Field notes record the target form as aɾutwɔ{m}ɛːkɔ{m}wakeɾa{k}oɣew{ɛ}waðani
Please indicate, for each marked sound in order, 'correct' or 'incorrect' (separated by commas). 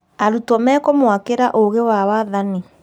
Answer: correct, correct, incorrect, incorrect